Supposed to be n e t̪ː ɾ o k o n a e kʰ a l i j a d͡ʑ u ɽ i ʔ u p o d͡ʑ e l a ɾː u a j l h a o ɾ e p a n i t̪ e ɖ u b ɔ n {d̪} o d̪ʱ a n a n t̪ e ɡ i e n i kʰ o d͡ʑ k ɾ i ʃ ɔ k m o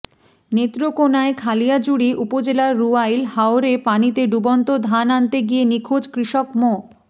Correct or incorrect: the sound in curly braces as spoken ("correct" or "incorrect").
incorrect